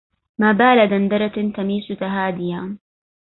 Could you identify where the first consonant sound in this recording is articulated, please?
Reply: labial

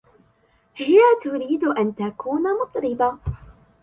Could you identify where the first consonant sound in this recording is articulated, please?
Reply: glottal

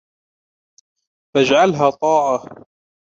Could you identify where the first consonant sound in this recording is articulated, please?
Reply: labial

